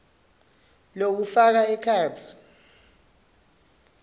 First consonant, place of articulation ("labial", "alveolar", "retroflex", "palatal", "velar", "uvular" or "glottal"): alveolar